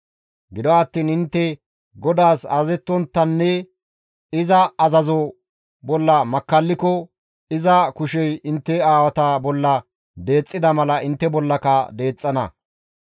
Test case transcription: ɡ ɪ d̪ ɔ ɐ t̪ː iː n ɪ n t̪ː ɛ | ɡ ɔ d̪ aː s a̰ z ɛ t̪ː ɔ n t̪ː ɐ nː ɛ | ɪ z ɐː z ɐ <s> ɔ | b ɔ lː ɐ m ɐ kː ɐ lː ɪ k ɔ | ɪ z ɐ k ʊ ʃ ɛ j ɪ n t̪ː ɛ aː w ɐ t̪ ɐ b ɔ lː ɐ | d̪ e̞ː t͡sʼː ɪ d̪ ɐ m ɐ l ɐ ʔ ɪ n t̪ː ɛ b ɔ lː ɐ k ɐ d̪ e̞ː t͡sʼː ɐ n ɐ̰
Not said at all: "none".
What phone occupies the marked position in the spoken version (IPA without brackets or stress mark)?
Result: z